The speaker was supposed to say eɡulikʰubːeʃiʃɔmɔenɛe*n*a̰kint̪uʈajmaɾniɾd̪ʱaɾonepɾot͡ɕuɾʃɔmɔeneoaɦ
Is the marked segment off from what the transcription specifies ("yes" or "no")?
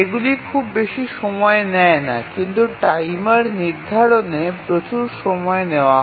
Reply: no